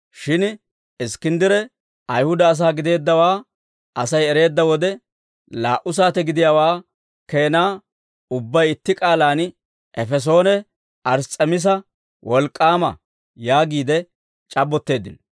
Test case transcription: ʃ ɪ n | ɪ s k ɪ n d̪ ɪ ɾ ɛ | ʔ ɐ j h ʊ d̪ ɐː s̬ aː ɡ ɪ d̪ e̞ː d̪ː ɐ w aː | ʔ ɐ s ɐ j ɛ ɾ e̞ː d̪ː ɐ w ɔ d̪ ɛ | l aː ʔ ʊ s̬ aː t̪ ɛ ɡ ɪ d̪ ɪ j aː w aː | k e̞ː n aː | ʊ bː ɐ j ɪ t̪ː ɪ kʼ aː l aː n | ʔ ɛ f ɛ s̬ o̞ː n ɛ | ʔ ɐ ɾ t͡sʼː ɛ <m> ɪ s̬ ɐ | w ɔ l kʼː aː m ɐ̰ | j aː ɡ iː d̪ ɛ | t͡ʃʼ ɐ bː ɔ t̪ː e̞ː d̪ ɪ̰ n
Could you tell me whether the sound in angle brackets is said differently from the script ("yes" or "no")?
no